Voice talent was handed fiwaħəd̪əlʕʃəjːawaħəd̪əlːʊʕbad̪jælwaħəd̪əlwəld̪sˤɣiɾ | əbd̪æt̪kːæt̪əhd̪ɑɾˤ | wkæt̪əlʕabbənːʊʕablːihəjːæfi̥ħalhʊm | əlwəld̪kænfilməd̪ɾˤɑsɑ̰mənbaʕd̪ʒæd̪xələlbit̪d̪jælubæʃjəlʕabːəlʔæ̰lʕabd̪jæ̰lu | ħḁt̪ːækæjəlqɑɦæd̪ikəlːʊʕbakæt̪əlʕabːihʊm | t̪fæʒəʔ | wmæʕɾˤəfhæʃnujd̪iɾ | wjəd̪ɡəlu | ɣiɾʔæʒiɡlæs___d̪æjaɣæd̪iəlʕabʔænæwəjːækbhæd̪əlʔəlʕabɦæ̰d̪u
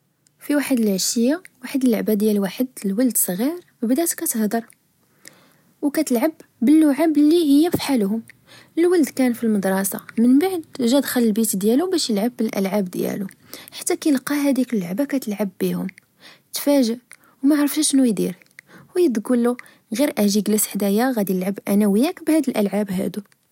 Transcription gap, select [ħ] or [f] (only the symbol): ħ